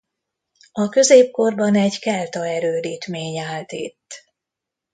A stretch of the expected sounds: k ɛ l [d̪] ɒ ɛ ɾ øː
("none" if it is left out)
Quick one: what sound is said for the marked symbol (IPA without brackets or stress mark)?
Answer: t̪